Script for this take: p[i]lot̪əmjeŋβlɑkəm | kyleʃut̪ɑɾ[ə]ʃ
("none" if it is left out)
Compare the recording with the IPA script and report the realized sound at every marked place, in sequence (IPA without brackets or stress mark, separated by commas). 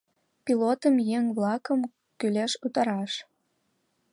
i, ɑ